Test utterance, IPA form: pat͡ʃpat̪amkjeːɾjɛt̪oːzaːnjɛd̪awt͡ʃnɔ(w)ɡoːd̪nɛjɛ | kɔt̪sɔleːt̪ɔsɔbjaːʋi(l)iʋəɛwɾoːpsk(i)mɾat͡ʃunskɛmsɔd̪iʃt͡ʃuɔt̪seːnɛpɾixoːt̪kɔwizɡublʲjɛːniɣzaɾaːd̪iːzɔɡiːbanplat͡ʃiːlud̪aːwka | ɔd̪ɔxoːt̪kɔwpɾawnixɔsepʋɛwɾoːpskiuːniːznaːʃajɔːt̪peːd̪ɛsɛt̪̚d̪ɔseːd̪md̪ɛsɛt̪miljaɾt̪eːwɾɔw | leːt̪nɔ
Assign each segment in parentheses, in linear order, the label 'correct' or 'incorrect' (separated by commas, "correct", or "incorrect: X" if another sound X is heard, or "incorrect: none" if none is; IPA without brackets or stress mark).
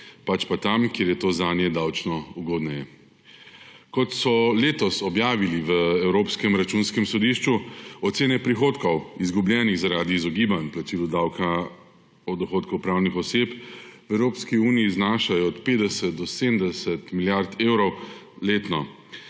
incorrect: u, correct, incorrect: ɛ